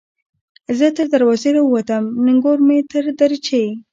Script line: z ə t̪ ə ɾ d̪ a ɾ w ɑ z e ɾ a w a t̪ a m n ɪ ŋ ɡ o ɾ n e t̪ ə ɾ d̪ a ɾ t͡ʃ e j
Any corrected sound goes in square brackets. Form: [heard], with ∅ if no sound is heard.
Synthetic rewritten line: z ə t̪ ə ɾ d̪ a ɾ w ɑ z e ɾ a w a t̪ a m n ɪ ŋ ɡ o ɾ [m] e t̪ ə ɾ d̪ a ɾ t͡ʃ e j

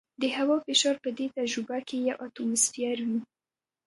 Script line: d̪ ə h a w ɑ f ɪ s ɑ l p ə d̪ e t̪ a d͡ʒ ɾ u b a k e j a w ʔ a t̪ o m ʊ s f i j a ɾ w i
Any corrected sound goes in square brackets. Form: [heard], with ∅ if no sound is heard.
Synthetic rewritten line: d̪ ə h a w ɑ f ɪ [ʃ] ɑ [ɾ] p ə d̪ e t̪ a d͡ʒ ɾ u b a k e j a w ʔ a t̪ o m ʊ s f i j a ɾ w i

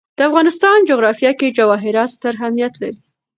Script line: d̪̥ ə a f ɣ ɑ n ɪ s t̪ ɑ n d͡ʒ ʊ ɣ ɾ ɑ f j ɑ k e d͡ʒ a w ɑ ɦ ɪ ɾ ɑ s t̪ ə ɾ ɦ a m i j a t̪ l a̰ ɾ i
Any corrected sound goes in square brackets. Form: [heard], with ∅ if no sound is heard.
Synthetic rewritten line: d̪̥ ə a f ɣ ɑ n ɪ s t̪ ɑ n d͡ʒ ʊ ɣ ɾ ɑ f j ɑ k e d͡ʒ a w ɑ ɦ ɪ ɾ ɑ s t̪ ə ɾ ɦ a m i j a t̪ l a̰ ɾ i

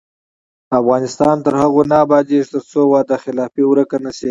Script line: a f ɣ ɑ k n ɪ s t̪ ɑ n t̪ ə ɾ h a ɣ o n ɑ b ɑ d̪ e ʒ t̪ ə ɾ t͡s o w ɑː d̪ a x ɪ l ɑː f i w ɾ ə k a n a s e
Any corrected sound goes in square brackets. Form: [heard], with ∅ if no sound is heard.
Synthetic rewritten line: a f ɣ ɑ [∅] n ɪ s t̪ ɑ n t̪ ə ɾ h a ɣ o n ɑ b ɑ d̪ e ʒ t̪ ə ɾ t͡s o w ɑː d̪ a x ɪ l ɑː f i w ɾ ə k a n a s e

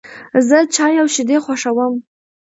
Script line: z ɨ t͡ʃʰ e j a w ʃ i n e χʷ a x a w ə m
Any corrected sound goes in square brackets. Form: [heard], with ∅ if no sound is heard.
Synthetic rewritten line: z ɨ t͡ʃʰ [a] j a w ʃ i [d] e χʷ a [ʂ] a w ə m

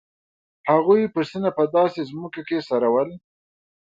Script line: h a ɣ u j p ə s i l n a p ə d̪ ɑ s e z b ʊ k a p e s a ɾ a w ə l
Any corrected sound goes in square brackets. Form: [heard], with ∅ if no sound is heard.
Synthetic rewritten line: h a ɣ u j p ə s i [∅] n a p ə d̪ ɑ s e z [m] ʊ k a [k] e s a ɾ a w ə l

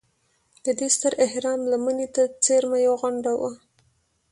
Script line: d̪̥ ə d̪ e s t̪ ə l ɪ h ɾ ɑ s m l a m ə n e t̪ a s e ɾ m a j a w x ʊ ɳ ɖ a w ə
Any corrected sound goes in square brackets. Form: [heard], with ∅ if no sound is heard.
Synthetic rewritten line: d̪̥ ə d̪ e s t̪ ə [ɾ] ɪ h ɾ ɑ [∅] m l a m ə n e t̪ a [t͡s] e ɾ m a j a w [ɣ] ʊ ɳ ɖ a w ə

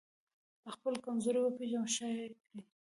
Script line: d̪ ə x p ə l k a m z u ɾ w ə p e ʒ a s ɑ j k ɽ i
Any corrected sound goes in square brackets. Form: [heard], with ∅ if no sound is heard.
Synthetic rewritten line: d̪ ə x p ə l k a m z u ɾ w ə p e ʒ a [ʃ] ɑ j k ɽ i

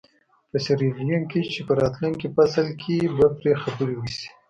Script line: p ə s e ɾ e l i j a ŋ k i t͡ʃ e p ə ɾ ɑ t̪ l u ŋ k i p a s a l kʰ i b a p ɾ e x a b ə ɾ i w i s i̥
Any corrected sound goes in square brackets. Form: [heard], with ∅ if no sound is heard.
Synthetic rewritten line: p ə s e ɾ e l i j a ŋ k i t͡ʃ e p ə ɾ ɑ t̪ l u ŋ k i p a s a l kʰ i b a p ɾ e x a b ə ɾ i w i s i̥

